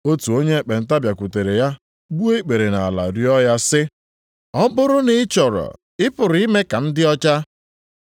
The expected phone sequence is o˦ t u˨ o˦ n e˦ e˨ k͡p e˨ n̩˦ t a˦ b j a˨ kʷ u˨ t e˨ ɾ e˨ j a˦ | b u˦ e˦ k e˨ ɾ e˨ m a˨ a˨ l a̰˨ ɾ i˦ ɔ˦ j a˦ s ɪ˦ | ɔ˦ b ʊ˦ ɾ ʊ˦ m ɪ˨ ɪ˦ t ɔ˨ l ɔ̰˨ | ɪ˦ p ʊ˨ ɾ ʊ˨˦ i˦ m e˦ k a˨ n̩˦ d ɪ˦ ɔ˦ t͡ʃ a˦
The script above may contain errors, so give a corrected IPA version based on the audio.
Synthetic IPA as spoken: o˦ t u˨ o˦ ɲ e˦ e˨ k͡p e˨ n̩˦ t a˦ b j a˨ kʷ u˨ t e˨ ɾ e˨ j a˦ | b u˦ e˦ k͡p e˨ ɾ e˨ n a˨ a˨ l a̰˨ ɾ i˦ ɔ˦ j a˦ s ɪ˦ | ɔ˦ b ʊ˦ ɾ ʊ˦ n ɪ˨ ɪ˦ t͡ʃ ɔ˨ ɾ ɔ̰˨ | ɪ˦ p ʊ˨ ɾ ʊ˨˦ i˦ m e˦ k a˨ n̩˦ d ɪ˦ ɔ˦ t͡ʃ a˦